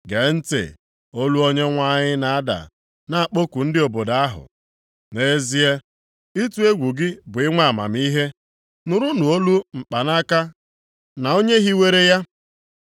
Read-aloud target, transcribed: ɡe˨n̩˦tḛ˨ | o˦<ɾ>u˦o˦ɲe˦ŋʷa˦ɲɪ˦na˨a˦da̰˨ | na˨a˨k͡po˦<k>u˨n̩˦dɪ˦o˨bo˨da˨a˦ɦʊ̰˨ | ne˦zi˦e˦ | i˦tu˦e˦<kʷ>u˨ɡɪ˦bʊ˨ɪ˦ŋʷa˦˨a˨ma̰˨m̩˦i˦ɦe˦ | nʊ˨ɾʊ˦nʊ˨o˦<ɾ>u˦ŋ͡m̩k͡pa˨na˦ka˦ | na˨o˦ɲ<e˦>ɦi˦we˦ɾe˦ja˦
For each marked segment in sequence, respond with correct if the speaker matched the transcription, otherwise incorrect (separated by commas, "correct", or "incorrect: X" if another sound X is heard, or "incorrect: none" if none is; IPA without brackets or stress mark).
incorrect: l, correct, incorrect: ɡʷ, incorrect: l, correct